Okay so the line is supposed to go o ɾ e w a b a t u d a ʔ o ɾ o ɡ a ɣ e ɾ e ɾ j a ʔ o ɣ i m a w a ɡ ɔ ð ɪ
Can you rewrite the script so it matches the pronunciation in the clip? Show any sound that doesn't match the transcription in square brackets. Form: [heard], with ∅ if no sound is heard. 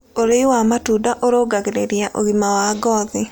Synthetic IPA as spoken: o ɾ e w a [m] a t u d a ʔ o ɾ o ɡ a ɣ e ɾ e ɾ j a ʔ o ɣ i m a w a ɡ ɔ ð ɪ